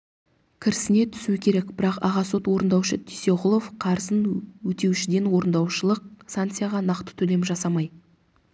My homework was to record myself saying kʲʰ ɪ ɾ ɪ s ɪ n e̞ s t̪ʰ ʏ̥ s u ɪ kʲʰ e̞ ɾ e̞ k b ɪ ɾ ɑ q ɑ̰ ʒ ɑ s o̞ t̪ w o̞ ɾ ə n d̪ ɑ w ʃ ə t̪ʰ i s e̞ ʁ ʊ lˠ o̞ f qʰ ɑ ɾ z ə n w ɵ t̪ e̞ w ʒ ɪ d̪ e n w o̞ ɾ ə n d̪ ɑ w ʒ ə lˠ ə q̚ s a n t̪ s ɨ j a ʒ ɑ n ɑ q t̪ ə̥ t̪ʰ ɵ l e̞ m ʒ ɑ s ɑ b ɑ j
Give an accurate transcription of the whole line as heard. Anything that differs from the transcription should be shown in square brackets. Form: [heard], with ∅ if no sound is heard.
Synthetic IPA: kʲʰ ɪ ɾ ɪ s ɪ n e̞ [∅] t̪ʰ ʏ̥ s u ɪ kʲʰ e̞ ɾ e̞ k b ɪ ɾ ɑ q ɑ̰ [ʁ] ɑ s o̞ t̪ w o̞ ɾ ə n d̪ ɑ w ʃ ə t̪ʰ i s e̞ ʁ ʊ lˠ o̞ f qʰ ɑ ɾ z ə n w ɵ t̪ e̞ w [ʃ] ɪ d̪ e n w o̞ ɾ ə n d̪ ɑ w [ʃ] ə lˠ ə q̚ s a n t̪ s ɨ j a [ʁ] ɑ n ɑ q t̪ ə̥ t̪ʰ ɵ l e̞ m ʒ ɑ s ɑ [m] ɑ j